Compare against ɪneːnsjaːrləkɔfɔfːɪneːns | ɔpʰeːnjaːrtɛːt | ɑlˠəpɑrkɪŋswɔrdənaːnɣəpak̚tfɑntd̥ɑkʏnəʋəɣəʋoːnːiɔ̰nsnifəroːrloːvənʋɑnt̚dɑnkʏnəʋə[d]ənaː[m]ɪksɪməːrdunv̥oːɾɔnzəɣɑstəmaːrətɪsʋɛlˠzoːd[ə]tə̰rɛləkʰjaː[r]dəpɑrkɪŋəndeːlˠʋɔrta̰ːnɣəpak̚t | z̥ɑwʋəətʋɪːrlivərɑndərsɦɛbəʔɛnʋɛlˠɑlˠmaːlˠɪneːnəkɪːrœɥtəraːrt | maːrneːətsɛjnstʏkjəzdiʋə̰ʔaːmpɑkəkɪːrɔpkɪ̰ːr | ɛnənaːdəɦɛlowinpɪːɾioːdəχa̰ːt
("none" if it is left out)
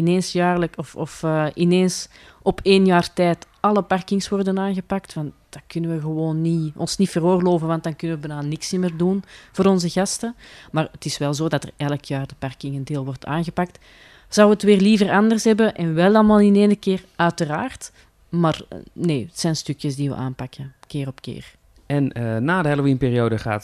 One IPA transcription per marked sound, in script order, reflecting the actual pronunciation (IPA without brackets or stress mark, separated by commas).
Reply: b, n, ɑ, r